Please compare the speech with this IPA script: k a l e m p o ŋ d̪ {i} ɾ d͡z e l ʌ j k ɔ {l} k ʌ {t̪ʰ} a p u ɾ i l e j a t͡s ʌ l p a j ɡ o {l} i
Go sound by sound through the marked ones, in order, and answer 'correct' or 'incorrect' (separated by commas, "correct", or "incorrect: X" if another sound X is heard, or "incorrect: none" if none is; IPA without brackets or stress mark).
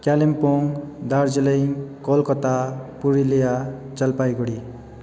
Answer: incorrect: a, correct, incorrect: t̪, incorrect: ɽ